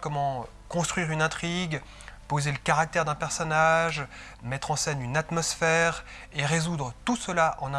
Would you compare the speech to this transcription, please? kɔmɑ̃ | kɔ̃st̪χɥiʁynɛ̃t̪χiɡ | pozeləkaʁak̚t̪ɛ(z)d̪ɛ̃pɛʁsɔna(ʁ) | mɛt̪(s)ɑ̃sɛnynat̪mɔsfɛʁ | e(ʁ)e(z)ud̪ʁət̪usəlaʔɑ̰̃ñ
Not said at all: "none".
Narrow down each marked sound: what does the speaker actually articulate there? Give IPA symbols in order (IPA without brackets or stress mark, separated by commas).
ʁ, ʒ, χ, ʁ, z